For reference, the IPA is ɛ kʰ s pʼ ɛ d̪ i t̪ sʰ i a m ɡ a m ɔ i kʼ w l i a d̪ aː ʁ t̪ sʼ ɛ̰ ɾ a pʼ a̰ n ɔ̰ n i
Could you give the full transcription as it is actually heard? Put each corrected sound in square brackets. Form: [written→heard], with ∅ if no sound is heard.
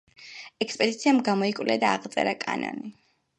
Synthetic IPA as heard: ɛ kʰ s pʼ ɛ d̪ i t̪ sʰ i a m ɡ a m ɔ i kʼ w l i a d̪ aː ʁ t̪ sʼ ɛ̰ ɾ a [pʼ→kʼ] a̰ n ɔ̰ n i